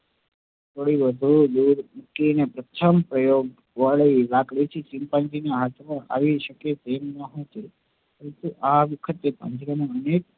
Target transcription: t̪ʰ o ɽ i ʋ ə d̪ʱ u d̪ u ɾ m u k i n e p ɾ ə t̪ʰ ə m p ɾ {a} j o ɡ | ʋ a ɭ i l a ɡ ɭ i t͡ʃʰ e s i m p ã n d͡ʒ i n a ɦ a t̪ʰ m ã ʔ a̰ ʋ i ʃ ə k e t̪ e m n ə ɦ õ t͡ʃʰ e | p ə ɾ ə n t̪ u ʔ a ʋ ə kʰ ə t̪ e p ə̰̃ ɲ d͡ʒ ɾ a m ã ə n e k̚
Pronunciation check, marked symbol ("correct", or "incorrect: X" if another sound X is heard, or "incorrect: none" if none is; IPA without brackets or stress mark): incorrect: ə